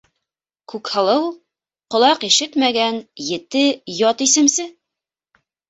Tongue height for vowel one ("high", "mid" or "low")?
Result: high